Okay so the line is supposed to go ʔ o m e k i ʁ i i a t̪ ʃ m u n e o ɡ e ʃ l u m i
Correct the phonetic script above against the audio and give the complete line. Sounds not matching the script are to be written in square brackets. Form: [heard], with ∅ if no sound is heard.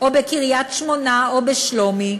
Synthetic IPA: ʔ o [b] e k i ʁ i [j] a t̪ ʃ m [o] n [a] o [b] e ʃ l [o] m i